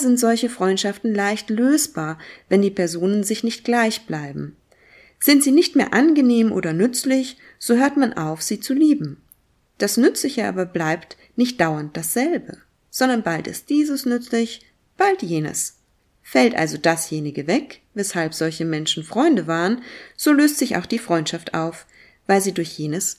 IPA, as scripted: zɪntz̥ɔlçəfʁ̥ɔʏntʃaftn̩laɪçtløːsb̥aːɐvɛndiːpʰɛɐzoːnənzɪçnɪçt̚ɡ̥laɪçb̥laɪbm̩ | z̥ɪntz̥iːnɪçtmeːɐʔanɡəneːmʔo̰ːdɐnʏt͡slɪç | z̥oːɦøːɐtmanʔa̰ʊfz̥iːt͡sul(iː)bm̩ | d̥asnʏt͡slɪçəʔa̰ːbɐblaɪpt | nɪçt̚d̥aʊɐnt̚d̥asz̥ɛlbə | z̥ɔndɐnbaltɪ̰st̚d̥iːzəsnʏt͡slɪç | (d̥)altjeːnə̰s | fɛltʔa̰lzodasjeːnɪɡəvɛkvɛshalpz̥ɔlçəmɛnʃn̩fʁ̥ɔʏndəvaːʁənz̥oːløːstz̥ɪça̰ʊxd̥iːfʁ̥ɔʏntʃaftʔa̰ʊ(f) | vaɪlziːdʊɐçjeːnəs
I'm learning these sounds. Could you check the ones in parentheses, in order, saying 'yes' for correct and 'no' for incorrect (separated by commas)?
yes, no, yes